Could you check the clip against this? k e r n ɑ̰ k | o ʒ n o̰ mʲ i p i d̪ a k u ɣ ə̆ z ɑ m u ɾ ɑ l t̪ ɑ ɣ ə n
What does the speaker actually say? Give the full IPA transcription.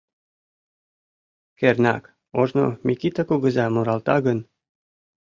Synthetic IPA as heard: k e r n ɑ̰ k | o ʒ n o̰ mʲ i k i t̪ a k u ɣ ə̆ z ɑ m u ɾ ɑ l t̪ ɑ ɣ ə n